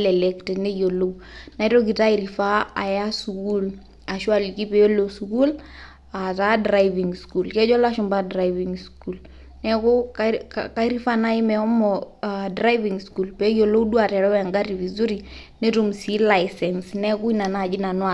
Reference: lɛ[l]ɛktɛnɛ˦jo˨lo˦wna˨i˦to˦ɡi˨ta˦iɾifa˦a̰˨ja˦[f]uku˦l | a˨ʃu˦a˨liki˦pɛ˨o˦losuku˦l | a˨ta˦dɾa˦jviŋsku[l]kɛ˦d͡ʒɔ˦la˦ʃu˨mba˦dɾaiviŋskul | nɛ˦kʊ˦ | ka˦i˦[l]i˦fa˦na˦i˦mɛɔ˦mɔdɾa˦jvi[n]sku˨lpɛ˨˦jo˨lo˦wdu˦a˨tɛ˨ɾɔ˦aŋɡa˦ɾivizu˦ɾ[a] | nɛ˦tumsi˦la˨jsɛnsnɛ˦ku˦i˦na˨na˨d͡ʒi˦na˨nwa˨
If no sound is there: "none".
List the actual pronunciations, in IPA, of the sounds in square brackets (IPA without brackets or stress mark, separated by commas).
l, s, l, ɾ, ŋ, i